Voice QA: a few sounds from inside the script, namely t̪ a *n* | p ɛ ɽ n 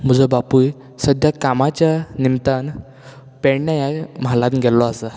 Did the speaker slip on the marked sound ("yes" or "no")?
no